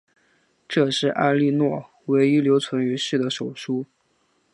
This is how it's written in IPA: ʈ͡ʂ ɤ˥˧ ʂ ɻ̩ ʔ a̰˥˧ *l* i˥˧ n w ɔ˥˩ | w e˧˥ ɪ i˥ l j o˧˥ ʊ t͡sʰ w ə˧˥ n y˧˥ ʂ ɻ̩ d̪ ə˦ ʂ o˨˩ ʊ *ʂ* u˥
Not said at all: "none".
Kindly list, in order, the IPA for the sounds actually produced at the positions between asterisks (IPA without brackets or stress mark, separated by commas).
l, ʂ